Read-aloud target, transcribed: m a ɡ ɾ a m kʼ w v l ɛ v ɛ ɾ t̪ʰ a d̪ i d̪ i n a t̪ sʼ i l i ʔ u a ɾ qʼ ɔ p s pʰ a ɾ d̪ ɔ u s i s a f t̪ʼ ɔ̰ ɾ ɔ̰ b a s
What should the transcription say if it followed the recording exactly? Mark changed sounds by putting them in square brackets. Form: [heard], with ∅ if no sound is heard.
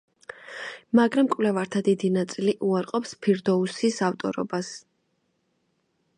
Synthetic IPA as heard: m a ɡ ɾ a m kʼ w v l ɛ v [a] ɾ t̪ʰ a d̪ i d̪ i n a t̪ sʼ i l i ʔ u a ɾ qʼ ɔ p s pʰ [i] ɾ d̪ ɔ u s i s a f t̪ʼ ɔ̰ ɾ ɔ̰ b a s

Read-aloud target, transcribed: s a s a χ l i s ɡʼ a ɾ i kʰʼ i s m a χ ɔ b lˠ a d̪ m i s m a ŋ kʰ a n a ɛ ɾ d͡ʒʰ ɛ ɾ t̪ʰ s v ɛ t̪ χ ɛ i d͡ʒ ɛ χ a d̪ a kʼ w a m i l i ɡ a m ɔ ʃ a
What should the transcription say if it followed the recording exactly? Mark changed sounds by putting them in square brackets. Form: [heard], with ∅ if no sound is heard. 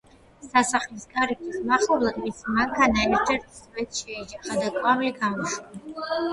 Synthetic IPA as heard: s a s a χ l i s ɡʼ a ɾ i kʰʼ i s m a χ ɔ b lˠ a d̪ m i s m a ŋ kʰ a n a ɛ ɾ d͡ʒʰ ɛ ɾ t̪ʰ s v ɛ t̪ [ʃ] ɛ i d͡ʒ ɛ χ a d̪ a kʼ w a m i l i ɡ a m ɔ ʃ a

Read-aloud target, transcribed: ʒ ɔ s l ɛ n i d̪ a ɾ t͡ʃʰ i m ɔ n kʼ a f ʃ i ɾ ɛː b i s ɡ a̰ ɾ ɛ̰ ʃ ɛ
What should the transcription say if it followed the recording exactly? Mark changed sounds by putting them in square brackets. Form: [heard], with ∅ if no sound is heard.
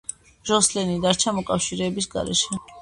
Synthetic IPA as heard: ʒ ɔ s l ɛ n i d̪ a ɾ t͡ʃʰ [a] m ɔ [∅] kʼ a f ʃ i ɾ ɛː b i s ɡ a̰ ɾ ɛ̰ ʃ ɛ

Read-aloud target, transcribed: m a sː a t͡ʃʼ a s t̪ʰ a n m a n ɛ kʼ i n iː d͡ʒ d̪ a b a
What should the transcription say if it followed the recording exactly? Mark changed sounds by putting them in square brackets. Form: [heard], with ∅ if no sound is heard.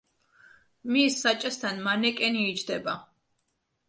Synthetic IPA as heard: m [i] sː a t͡ʃʼ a s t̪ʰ a n m a n ɛ kʼ [ɛ] n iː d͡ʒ d̪ [ɛ] b a

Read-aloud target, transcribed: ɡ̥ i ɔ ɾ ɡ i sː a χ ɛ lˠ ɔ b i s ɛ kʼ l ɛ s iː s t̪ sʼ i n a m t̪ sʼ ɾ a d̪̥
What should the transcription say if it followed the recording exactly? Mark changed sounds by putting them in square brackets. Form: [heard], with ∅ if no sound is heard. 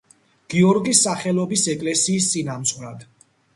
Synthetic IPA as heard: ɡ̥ i ɔ ɾ ɡ i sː a χ ɛ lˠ ɔ b i s ɛ kʼ l ɛ s iː s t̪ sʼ i n a m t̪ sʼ ɾ a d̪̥

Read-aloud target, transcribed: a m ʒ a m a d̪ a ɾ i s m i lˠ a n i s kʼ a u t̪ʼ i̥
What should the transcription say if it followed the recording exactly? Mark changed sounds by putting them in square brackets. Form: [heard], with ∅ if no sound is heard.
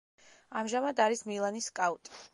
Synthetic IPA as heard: a m ʒ a m a d̪ a ɾ i s m i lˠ a n i s kʼ a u t̪ʼ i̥

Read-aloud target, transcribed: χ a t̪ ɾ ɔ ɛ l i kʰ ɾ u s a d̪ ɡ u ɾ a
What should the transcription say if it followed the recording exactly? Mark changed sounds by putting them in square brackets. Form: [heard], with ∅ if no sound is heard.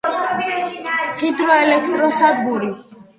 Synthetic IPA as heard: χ [i] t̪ ɾ ɔ ɛ l [ɛ] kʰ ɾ [ɔ] s a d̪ ɡ u ɾ [i]

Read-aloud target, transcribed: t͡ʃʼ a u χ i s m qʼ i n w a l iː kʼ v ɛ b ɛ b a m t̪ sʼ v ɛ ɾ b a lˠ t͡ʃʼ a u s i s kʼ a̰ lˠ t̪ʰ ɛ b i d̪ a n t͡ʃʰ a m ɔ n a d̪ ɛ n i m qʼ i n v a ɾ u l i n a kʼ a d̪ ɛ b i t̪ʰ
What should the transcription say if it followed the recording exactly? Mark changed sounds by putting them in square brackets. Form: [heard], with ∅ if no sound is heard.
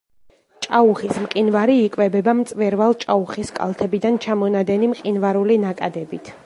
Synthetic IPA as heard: t͡ʃʼ a u χ i s m qʼ i n [v] a [ɾ] iː kʼ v ɛ b ɛ b a m t̪ sʼ v ɛ ɾ [v] a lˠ t͡ʃʼ a u [χ] i s kʼ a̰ lˠ t̪ʰ ɛ b i d̪ a n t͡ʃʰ a m ɔ n a d̪ ɛ n i m qʼ i n v a ɾ u l i n a kʼ a d̪ ɛ b i t̪ʰ

